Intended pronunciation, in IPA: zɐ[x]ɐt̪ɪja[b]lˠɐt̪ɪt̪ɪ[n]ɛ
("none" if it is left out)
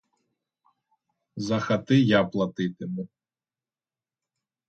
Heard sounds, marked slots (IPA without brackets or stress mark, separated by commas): x, p, m